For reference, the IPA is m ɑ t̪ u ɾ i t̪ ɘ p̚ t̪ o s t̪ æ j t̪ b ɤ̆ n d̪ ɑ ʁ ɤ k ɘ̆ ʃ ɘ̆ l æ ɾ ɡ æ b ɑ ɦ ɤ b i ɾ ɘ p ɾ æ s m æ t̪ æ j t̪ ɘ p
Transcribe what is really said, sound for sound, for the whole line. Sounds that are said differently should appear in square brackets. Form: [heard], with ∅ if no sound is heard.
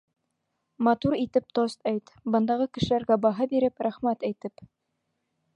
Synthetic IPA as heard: m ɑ t̪ u ɾ i t̪ ɘ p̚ t̪ o s t̪ æ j t̪ b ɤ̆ n d̪ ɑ ʁ ɤ k ɘ̆ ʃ ɘ̆ l æ ɾ ɡ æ b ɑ ɦ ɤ b i ɾ ɘ p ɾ æ [χ] m æ t̪ æ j t̪ ɘ p